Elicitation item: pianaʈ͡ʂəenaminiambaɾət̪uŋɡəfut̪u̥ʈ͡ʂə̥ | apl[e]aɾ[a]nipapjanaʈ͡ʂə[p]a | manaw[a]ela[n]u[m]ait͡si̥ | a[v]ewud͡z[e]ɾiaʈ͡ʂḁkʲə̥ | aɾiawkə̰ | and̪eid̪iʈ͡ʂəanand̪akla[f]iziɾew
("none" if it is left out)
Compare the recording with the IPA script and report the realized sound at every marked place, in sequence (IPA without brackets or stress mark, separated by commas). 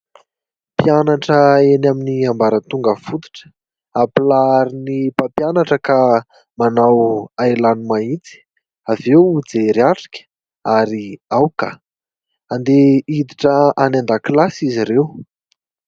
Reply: a, i, k, a, n, m, v, e, s